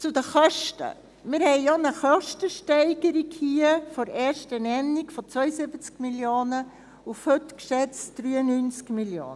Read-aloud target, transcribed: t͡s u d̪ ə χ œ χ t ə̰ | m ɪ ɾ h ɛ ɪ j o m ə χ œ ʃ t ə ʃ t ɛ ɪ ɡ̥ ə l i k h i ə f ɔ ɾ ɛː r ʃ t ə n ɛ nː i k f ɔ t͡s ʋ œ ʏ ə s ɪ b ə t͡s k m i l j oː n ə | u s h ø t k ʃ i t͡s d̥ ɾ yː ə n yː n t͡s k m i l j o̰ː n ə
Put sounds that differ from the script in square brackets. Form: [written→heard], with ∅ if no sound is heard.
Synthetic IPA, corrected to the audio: t͡s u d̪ ə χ œ [χ→ʃ] t ə̰ | m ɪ ɾ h ɛ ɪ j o [m→n] ə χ œ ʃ t ə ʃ t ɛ ɪ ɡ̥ ə [l→ɾ] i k h i ə f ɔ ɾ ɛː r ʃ t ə n ɛ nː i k f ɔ t͡s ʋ œ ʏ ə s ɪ b ə t͡s k m i l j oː n ə | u [s→f] h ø t k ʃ [i→ɛ] t͡s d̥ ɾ yː ə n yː n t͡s k m i l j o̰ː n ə